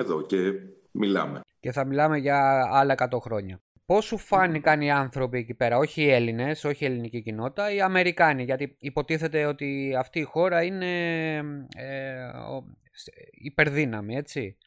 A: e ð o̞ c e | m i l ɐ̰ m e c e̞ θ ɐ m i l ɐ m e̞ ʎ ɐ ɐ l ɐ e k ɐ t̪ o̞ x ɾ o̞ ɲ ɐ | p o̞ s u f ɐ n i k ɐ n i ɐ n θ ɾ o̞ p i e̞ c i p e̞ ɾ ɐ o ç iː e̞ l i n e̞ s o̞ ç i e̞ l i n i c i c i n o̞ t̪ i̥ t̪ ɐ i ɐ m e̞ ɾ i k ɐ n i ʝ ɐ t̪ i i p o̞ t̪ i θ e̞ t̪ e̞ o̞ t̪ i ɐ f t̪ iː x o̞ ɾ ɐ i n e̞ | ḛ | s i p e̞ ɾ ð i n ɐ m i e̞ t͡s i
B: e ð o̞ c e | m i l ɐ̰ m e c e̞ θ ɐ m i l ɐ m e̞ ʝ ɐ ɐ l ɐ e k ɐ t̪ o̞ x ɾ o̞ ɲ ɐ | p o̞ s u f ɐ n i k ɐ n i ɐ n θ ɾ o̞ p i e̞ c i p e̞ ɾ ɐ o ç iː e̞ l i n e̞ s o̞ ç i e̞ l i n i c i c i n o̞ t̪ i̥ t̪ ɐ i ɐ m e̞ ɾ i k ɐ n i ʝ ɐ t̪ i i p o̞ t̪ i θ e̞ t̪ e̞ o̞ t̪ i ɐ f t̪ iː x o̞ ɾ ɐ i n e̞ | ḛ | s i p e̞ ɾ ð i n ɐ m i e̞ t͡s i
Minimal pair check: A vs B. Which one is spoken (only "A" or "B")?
B